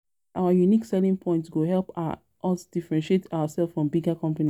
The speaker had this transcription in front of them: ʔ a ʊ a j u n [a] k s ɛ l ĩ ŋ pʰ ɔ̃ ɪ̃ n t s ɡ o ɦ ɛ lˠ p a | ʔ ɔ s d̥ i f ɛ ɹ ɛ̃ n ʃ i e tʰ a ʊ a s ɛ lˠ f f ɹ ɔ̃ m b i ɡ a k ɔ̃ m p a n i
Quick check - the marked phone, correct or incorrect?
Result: incorrect